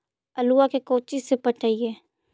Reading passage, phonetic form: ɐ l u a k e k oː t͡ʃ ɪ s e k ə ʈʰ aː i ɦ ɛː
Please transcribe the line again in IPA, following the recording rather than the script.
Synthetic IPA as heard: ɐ l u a k e k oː t͡ʃ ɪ s e p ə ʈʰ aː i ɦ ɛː